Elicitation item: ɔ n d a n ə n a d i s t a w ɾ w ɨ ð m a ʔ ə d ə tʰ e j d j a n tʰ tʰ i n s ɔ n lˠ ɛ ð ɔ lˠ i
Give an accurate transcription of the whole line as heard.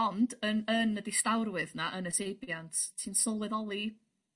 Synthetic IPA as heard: ɔ n d ə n ə n ə d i s t a w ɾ w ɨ ð n a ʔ ə n ə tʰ e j b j a n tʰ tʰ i n s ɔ lˠ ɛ ð ɔ lˠ i